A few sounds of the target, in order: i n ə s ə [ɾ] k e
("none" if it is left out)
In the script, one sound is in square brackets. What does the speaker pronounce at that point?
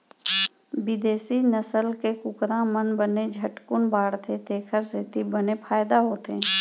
l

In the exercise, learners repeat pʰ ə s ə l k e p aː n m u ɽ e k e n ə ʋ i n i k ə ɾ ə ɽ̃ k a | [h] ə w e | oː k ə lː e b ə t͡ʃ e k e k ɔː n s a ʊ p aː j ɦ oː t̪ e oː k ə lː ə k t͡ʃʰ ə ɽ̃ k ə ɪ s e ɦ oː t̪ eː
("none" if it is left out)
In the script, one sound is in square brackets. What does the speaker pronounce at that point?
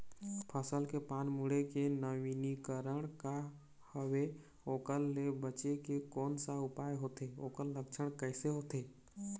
h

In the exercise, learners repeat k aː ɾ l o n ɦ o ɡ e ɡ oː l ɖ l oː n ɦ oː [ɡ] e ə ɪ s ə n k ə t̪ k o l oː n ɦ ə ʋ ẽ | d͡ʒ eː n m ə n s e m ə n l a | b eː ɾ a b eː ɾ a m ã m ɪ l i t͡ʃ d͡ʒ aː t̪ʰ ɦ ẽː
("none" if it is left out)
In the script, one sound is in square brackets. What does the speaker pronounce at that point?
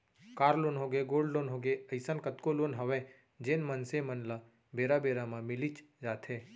ɡ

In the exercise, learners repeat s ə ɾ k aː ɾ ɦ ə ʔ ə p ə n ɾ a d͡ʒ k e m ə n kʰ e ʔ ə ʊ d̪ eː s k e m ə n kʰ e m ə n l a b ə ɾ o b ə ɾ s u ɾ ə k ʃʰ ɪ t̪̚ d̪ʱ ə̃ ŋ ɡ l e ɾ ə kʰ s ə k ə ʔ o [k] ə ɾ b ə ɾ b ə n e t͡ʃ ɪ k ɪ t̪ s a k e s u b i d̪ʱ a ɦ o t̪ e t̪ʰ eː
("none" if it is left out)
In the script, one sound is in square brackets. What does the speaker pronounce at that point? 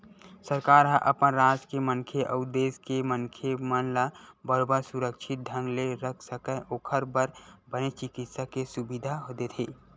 kʰ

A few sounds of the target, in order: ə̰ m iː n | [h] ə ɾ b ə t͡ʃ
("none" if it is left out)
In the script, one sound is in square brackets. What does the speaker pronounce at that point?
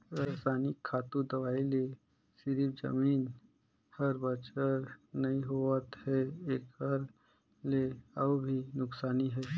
h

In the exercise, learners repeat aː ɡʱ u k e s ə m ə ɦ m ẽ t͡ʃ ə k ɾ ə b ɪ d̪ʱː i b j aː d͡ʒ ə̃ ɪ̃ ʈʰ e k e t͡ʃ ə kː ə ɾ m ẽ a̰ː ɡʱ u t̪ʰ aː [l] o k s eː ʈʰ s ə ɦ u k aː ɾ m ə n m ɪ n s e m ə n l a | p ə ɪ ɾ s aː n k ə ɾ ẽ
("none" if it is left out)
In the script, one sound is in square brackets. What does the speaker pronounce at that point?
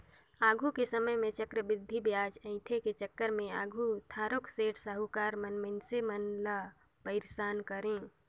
ɾ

